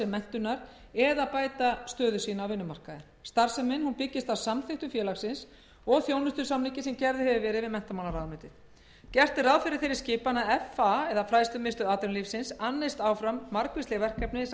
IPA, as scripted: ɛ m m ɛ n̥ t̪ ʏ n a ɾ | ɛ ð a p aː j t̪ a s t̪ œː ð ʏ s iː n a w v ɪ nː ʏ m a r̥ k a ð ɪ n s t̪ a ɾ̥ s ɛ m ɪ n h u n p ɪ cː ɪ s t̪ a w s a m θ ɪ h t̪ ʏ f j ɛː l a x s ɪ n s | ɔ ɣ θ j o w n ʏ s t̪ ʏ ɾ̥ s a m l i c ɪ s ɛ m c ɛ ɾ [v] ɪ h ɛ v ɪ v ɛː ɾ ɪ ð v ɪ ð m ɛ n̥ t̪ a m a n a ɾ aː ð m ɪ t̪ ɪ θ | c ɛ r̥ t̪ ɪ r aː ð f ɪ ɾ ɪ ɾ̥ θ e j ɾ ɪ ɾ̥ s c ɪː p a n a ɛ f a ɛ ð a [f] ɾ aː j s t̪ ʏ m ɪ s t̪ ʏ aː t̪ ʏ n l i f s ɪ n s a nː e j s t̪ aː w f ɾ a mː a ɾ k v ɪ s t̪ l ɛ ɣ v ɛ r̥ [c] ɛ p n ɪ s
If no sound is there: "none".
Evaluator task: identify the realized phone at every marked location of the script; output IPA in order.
ð, f, k

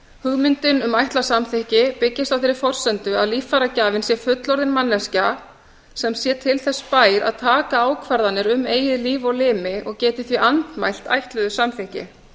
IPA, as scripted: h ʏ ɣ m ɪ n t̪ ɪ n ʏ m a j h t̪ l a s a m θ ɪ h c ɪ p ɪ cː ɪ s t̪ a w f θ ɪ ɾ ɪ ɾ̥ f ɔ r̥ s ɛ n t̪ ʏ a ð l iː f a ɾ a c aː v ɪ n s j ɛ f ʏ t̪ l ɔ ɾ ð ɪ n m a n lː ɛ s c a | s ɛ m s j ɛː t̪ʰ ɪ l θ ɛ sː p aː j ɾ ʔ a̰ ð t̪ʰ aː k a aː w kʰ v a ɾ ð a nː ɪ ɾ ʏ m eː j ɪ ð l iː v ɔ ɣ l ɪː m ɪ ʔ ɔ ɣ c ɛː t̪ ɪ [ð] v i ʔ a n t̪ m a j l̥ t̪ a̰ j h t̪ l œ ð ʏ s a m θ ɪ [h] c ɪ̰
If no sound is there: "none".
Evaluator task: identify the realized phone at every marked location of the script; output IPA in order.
θ, h

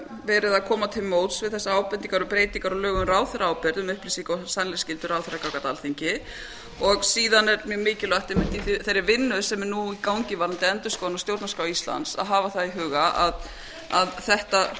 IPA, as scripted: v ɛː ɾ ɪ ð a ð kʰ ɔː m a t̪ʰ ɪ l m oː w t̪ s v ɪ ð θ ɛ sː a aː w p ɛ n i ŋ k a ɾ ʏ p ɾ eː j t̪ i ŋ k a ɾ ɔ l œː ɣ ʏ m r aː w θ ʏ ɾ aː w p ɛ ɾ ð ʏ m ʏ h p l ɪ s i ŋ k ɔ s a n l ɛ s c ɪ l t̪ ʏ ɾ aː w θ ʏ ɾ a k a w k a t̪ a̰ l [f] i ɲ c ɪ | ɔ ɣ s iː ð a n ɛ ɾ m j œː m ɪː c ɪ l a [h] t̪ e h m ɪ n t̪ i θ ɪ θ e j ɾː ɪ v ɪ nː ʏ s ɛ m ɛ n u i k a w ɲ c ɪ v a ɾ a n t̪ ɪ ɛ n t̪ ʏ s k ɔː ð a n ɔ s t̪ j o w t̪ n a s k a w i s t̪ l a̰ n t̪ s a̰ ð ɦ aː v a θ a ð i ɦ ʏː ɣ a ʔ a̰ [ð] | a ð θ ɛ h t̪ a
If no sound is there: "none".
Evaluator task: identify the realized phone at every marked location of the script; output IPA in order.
θ, h, ð

